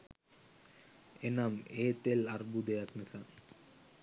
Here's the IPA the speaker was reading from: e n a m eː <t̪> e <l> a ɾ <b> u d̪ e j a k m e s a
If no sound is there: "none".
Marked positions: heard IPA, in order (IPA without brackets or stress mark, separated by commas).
t̪, l, b